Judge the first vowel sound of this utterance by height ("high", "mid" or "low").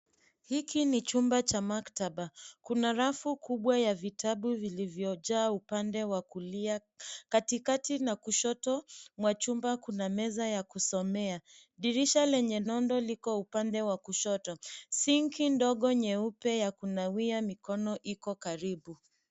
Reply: high